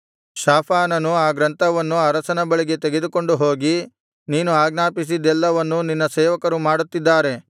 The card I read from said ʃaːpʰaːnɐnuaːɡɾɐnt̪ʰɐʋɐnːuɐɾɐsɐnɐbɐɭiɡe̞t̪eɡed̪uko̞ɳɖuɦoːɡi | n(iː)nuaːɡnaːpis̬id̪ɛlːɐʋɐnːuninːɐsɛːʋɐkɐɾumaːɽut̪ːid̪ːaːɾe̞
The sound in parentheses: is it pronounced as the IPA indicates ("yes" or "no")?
yes